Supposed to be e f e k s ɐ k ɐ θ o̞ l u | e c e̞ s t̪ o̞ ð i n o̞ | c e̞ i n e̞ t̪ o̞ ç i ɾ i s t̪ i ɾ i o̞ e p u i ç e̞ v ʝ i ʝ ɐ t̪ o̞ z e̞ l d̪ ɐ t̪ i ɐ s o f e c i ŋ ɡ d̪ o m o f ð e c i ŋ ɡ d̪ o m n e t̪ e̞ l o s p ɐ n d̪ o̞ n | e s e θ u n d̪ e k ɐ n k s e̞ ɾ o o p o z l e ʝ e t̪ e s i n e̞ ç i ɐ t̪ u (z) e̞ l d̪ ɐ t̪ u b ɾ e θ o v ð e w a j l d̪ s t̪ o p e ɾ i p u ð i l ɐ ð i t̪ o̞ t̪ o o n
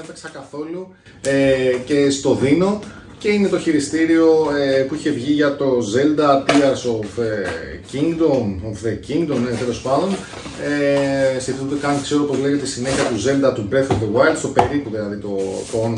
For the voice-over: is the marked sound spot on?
yes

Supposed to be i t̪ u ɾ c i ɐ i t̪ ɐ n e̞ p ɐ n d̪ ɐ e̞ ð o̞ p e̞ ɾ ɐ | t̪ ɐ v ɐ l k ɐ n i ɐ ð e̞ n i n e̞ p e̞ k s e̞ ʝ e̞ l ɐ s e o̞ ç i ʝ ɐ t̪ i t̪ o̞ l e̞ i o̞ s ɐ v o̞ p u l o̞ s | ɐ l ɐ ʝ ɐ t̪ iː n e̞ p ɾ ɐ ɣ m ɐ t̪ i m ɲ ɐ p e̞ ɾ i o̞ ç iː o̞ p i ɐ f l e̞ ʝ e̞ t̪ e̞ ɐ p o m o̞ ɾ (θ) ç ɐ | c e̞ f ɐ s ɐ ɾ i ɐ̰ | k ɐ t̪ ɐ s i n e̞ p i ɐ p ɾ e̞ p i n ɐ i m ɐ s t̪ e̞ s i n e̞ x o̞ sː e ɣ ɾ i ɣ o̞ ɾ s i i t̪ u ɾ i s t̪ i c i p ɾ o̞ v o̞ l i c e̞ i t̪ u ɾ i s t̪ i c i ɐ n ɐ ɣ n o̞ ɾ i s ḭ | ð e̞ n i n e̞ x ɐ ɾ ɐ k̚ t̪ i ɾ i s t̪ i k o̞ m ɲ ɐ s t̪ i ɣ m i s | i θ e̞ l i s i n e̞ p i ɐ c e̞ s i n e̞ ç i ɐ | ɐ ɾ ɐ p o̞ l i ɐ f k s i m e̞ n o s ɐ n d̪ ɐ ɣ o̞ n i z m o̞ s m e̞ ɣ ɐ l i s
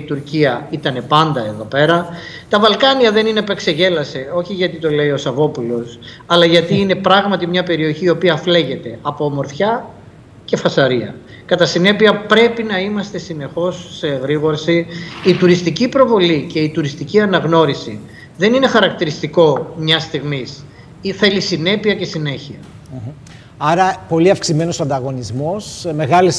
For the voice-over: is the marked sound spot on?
yes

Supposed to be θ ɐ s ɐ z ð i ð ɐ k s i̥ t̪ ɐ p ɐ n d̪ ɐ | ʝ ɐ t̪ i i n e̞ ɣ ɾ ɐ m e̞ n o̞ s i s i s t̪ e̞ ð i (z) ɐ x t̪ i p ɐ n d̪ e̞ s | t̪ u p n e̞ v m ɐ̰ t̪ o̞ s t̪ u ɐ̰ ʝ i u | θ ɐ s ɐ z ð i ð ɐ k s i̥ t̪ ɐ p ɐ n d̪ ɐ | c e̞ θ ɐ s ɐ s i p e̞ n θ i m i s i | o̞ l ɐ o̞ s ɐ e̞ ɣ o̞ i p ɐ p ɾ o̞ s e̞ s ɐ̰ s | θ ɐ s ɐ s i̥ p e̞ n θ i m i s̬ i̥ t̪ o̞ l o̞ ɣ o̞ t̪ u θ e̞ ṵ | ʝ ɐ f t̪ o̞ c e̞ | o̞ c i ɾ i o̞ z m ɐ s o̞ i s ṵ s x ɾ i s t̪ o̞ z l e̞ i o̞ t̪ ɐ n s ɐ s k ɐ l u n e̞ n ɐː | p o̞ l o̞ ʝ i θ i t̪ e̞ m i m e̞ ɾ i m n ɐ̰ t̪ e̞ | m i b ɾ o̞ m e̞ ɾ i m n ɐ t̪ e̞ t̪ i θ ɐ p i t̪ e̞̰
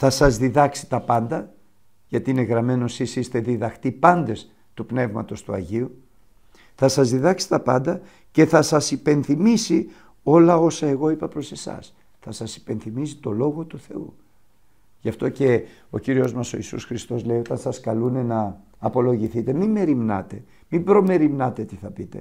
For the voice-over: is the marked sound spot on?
no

